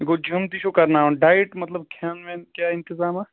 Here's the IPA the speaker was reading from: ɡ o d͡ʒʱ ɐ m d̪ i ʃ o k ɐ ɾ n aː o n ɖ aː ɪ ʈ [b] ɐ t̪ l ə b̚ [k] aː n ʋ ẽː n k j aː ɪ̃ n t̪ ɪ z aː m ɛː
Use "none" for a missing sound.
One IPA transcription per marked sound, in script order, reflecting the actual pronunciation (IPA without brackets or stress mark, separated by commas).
m, kʰ